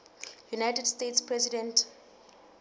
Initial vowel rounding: rounded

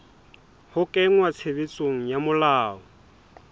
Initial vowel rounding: rounded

